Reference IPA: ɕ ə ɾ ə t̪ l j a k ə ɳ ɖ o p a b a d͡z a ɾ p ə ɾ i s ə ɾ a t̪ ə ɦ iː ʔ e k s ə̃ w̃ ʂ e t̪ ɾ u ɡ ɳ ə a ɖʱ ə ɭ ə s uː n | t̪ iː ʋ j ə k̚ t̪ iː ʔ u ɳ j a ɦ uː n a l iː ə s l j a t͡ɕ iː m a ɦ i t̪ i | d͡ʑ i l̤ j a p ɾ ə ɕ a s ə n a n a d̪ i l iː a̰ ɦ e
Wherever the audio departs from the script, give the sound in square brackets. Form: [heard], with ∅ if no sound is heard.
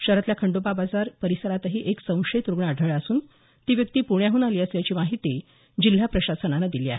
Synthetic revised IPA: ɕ ə ɾ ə t̪ l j a [kʰ] ə ɳ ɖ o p a b a d͡z a ɾ p ə ɾ i s ə ɾ a t̪ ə ɦ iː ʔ e k s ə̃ w̃ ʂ e t̪ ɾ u ɡ ɳ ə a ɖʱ ə ɭ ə s uː n | t̪ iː ʋ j ə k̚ t̪ iː [p] u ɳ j a ɦ uː n a l iː ə s l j a t͡ɕ iː m a ɦ i t̪ i | d͡ʑ i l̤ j a p ɾ ə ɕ a s ə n a n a d̪ i l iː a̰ ɦ e